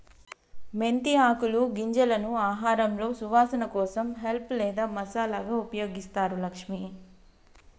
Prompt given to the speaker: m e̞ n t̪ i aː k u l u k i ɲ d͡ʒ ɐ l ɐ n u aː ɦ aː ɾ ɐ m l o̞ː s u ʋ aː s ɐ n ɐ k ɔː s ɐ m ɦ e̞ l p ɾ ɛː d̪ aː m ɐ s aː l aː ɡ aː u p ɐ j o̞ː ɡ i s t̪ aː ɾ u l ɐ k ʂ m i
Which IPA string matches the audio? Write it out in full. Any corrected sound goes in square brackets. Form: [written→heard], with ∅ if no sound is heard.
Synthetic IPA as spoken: m e̞ n t̪ i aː k u l u [k→ɡ] i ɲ d͡ʒ ɐ l ɐ n u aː ɦ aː ɾ ɐ m l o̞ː s u ʋ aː s ɐ n ɐ k ɔː s ɐ m ɦ e̞ l p [ɾ→l] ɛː d̪ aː m ɐ s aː l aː ɡ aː u p ɐ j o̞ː ɡ i s t̪ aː ɾ u l ɐ k ʂ m i